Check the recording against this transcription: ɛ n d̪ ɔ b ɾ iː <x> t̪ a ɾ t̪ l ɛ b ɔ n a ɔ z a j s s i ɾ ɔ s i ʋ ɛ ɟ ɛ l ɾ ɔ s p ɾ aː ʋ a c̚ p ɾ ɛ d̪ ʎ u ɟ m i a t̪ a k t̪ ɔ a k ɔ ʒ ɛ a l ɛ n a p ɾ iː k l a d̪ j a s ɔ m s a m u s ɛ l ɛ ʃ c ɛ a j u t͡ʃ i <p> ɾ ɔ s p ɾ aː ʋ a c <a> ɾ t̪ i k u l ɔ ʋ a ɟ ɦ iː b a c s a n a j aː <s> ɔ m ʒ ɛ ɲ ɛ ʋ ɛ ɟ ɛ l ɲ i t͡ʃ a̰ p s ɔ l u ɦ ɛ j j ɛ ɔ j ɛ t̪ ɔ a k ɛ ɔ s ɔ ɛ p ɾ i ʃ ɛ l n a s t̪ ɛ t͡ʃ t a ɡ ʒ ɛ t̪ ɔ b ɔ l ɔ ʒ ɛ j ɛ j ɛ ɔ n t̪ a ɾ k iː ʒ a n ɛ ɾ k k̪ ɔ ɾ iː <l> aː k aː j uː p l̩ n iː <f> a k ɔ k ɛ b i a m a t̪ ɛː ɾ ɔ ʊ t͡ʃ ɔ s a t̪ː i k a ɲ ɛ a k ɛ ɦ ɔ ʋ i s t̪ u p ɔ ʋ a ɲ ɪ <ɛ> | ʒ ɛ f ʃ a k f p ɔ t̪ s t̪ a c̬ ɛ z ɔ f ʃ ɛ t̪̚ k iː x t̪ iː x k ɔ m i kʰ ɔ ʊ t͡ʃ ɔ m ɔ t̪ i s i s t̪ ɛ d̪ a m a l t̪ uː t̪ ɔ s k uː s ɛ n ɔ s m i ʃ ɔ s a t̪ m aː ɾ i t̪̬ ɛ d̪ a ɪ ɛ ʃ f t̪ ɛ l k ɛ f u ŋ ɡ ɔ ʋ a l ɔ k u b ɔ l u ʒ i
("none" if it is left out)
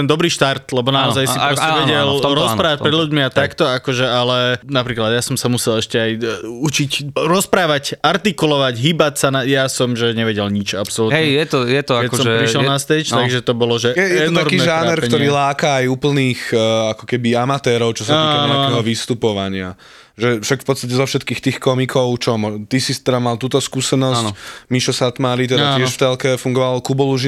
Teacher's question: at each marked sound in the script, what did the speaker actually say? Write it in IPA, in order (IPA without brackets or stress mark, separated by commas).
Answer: ʃ, c, a, s, l, x, a